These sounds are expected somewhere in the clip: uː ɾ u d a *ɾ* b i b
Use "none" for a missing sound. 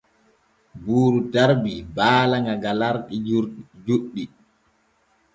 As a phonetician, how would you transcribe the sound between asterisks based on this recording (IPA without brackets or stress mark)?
ɾ